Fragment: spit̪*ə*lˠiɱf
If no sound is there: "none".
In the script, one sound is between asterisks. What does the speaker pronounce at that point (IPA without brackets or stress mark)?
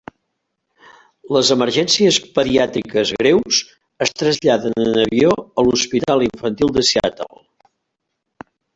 a